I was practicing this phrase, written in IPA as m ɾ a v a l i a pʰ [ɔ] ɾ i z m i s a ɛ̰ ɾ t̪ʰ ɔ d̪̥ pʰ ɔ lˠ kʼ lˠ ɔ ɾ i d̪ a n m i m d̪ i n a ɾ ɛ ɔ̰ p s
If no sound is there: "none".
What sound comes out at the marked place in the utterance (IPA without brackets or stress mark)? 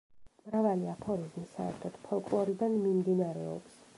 ɔ